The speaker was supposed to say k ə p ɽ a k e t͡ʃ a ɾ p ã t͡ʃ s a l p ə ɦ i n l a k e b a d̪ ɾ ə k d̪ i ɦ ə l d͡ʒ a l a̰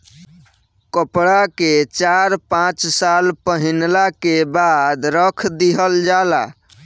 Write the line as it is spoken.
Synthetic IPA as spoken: k ə p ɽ a k e t͡ʃ a ɾ p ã t͡ʃ s a l p ə ɦ i n l a k e b a d̪ ɾ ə kʰ d̪ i ɦ ə l d͡ʒ a l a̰